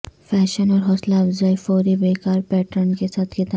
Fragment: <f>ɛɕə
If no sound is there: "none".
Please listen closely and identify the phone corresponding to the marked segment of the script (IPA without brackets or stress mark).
f